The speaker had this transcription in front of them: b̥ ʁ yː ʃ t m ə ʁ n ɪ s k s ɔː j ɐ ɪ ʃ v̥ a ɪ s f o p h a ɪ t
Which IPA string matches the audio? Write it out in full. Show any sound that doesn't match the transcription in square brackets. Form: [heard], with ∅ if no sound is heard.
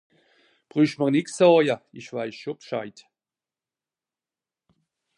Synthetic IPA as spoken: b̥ ʁ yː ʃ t m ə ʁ n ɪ [∅] k s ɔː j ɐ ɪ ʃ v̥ a ɪ s [ʃ] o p [ʃ] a ɪ t